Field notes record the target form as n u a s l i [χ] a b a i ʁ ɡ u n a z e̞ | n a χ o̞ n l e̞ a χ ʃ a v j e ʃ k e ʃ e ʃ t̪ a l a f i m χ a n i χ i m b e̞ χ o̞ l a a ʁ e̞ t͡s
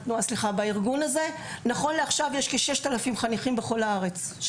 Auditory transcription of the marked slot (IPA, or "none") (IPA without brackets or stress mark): χ